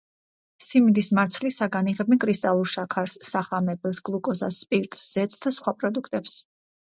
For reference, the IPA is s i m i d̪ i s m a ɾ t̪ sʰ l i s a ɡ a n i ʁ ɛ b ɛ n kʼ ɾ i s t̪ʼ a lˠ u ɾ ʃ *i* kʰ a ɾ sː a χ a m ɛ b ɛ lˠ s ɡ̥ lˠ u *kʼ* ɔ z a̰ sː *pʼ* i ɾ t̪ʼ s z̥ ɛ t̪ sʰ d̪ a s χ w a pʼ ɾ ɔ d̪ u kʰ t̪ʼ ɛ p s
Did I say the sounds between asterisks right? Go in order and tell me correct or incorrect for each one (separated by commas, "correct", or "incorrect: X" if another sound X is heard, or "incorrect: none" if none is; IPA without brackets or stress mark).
incorrect: a, correct, correct